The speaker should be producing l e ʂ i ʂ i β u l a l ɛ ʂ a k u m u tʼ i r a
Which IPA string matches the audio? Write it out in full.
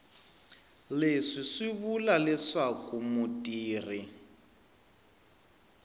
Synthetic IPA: l e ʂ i ʂ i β u l a l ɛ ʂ a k u m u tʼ iː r i